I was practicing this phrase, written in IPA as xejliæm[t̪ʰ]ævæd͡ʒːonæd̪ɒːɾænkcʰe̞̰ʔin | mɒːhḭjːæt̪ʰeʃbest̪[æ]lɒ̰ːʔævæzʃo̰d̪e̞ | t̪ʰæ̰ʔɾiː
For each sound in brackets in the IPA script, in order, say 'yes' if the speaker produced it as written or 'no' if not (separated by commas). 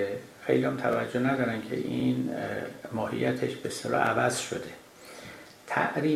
yes, no